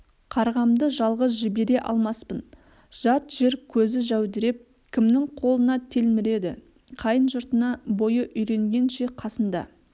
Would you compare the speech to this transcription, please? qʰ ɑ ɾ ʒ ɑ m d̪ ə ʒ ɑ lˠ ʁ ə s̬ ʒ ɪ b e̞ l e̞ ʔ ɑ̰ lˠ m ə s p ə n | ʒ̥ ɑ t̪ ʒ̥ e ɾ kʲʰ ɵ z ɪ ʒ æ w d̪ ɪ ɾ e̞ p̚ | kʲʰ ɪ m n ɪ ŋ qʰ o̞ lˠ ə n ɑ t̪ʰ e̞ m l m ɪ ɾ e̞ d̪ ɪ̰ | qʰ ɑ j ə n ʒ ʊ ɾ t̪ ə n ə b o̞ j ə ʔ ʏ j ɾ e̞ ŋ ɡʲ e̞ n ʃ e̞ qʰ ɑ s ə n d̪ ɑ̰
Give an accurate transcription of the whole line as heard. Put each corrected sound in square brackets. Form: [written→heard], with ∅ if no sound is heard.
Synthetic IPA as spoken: qʰ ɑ ɾ [ʒ→ʁ] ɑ m d̪ ə ʒ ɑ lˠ ʁ ə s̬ ʒ ɪ b e̞ [l→ɾ] e̞ ʔ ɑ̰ lˠ m [ə→ɑ] s p ə n | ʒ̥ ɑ t̪ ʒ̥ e ɾ kʲʰ ɵ z ɪ ʒ æ w d̪ ɪ ɾ e̞ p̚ | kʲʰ ɪ m n ɪ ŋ qʰ o̞ lˠ ə n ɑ t̪ʰ e̞ [m→∅] l m ɪ ɾ e̞ d̪ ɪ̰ | qʰ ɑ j ə n ʒ ʊ ɾ t̪ ə n [ə→ɑ] b o̞ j ə ʔ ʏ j ɾ e̞ ŋ ɡʲ e̞ n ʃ e̞ qʰ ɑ s ə n d̪ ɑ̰